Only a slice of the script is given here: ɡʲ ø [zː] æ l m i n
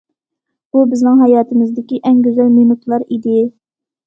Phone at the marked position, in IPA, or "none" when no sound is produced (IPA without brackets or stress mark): z